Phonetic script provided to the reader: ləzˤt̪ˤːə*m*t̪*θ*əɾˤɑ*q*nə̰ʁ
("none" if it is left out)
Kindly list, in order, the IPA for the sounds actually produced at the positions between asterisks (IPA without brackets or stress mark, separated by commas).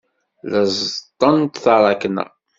n, θ, k